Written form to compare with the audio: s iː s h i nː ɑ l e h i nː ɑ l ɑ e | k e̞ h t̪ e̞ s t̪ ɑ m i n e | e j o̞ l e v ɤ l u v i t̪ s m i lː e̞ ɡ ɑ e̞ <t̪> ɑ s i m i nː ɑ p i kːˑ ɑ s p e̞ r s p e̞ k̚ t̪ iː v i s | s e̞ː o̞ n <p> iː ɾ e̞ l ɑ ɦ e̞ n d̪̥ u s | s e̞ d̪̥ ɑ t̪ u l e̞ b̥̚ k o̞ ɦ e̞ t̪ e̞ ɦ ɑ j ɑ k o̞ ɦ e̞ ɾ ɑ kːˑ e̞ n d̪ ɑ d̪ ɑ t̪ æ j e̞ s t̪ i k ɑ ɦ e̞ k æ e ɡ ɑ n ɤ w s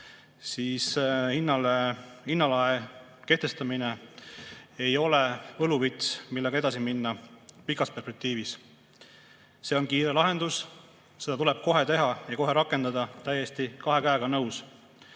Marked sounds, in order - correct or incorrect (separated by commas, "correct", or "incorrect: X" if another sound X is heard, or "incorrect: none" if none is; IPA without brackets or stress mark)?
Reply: incorrect: d̪, incorrect: k